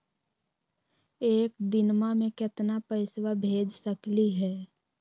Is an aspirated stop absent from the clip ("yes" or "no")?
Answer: yes